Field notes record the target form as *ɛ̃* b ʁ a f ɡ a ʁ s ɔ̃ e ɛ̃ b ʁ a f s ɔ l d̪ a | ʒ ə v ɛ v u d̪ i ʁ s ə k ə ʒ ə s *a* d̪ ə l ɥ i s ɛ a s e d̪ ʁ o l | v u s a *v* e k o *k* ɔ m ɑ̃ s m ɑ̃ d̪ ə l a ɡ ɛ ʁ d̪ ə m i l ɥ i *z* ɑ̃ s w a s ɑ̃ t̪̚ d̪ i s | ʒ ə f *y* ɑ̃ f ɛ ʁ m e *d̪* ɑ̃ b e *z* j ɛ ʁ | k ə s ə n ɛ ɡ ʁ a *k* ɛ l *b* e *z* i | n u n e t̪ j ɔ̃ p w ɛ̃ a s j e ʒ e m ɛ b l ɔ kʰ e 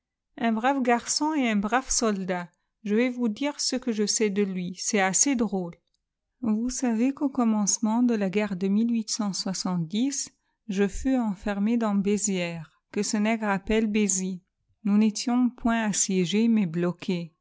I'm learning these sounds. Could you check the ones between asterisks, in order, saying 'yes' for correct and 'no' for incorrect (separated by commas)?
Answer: yes, no, yes, yes, no, yes, yes, yes, no, yes, yes